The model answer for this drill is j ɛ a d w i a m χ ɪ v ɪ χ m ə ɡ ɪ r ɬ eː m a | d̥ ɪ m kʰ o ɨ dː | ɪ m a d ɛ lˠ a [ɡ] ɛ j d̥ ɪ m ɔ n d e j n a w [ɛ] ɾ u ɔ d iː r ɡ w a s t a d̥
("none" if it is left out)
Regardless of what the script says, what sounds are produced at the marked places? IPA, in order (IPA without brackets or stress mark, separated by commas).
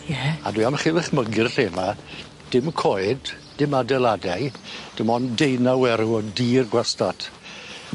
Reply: d, ɛ